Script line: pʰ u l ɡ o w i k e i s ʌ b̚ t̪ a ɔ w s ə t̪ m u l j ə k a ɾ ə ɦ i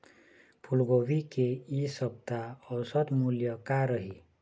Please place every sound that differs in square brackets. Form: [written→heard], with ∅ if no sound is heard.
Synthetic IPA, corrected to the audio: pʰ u l ɡ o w i k e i s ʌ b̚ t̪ a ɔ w s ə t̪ m u l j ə k a ɾ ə ɦ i